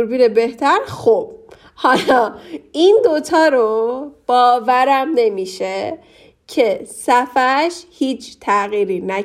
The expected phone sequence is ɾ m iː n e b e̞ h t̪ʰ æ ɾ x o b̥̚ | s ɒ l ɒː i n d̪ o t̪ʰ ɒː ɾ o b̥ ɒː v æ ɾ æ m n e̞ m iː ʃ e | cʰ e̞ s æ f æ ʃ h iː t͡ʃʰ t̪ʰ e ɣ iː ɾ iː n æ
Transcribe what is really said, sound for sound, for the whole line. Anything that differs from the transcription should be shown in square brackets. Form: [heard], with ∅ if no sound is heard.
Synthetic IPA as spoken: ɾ [b] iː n e b e̞ h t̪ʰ æ ɾ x o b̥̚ | [h] ɒ l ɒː i n d̪ o t̪ʰ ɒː ɾ o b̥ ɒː v æ ɾ æ m n e̞ m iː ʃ e | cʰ e̞ s æ f æ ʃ h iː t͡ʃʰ t̪ʰ [æ] ɣ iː ɾ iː n æ